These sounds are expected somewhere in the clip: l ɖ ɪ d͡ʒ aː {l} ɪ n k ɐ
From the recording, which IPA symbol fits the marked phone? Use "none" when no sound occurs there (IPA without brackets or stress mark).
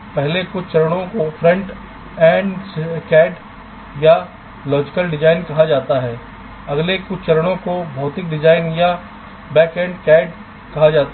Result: none